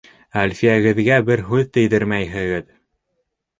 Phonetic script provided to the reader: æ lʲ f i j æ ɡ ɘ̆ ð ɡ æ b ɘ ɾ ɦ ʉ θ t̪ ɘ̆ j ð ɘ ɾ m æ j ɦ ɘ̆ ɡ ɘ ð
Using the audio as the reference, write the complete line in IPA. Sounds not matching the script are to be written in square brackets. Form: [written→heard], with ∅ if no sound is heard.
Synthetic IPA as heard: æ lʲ f i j æ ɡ ɘ̆ ð ɡ æ b ɘ ɾ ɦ ʉ [θ→ð] t̪ ɘ̆ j ð ɘ ɾ m æ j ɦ ɘ̆ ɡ ɘ ð